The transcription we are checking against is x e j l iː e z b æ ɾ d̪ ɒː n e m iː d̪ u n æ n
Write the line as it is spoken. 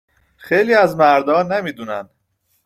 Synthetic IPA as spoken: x e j l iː æ z m æ ɾ d̪ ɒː n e m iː d̪ u n æ n